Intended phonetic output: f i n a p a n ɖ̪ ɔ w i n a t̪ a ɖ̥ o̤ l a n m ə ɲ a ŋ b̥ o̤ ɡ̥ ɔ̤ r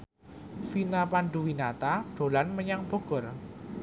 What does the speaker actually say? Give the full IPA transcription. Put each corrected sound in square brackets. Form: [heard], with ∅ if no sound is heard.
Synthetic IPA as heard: f i n a p a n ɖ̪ [u] w i n a t̪ a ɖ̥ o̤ l a n m ə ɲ a ŋ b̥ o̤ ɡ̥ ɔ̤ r